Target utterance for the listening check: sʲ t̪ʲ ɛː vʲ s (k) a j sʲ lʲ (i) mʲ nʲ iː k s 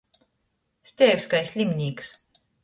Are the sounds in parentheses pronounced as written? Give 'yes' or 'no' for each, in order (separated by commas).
yes, yes